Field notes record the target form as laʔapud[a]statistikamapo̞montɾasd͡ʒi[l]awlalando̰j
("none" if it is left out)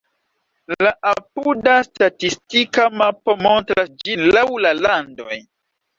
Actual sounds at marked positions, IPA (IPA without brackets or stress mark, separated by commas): a, l